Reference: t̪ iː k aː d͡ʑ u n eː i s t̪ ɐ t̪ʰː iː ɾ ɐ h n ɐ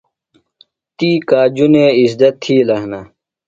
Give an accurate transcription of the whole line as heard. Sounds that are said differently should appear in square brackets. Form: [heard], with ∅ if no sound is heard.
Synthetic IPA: t̪ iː k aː d͡ʑ u n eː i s [d̪] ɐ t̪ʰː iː [l] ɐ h n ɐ